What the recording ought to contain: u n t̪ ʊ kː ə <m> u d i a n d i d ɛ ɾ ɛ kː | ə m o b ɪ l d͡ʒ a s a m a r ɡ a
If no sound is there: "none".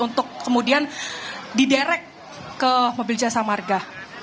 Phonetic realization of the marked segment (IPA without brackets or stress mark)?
m